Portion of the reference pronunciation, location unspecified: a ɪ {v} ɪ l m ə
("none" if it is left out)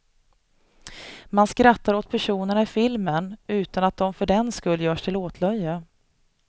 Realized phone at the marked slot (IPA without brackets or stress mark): f